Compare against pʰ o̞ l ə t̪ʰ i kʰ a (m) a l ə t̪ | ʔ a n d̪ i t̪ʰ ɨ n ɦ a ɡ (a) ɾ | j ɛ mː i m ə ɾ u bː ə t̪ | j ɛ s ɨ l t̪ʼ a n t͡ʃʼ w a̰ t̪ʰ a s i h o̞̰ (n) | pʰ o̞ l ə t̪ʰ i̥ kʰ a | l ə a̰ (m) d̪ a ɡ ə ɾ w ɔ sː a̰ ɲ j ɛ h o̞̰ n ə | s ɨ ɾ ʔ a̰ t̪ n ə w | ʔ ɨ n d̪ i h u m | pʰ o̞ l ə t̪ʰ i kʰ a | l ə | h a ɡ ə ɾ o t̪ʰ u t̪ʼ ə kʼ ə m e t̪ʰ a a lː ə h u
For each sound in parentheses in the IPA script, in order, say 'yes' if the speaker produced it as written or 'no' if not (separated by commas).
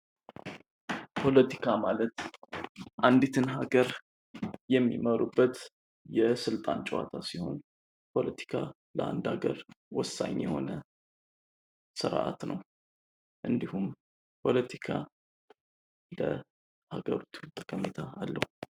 yes, no, yes, no